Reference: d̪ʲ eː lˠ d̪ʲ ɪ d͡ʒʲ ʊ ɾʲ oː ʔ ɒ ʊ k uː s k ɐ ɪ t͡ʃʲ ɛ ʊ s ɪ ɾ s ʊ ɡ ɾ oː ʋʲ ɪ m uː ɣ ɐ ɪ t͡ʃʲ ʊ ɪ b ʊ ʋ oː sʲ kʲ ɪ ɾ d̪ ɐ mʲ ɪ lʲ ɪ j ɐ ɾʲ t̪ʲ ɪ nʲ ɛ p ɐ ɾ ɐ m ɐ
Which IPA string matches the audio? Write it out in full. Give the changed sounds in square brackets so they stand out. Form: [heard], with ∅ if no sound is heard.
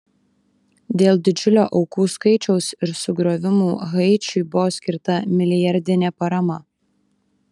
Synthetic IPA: d̪ʲ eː lˠ d̪ʲ ɪ d͡ʒʲ ʊ [lʲ] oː ʔ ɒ ʊ k uː s k ɐ ɪ t͡ʃʲ ɛ ʊ s ɪ ɾ s ʊ ɡ ɾ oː ʋʲ ɪ m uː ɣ ɐ ɪ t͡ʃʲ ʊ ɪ b ʊ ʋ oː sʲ kʲ ɪ ɾ [t̪] ɐ mʲ ɪ lʲ ɪ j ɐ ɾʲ [d̪ʲ] ɪ nʲ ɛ p ɐ ɾ ɐ m ɐ